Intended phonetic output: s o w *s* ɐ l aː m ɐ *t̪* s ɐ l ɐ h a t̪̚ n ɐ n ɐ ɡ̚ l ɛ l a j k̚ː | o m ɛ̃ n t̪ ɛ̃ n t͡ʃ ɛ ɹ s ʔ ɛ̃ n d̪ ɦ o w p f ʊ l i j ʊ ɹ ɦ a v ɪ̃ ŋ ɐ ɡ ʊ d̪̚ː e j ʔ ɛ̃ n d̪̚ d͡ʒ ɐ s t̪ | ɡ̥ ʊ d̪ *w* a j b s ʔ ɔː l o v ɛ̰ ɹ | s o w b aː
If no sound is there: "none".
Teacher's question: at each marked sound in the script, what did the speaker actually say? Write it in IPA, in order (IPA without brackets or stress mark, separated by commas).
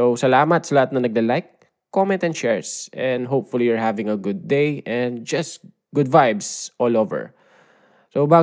s, t̪, v